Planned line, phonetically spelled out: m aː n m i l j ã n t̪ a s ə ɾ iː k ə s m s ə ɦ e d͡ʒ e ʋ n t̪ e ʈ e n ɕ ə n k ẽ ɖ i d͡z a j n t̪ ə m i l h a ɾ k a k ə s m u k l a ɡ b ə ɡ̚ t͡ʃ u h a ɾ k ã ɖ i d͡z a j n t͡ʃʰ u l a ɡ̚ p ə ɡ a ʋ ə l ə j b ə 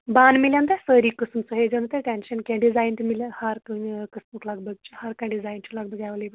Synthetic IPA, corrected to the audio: b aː n m i l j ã n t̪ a s ə ɾ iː k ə s m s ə ɦ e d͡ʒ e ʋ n t̪ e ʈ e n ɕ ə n k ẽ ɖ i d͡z a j n t̪ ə m i l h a ɾ k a k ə s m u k l a ɡ b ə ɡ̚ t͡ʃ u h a ɾ k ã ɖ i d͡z a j n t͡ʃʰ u l a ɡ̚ b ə ɡ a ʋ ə l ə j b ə